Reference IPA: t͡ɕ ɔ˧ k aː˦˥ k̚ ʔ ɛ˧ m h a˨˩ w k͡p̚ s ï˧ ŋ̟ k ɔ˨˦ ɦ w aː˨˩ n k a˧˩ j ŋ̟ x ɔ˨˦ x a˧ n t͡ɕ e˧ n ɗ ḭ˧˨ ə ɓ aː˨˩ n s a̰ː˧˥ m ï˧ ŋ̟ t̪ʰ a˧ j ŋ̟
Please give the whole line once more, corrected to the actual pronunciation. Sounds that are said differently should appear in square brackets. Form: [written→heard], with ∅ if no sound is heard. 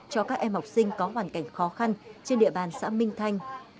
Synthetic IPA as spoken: t͡ɕ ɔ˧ k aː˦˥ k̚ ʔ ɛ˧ m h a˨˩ w k͡p̚ s ï˧ ŋ̟ k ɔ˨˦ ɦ w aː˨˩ n k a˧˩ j ŋ̟ x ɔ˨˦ x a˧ n t͡ɕ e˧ n ɗ ḭ˧˨ ə ɓ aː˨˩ n s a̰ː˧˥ m ï˧ ŋ̟ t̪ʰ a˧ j ŋ̟